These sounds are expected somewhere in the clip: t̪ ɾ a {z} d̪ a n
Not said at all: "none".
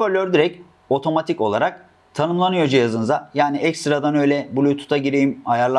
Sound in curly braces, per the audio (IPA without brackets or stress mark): none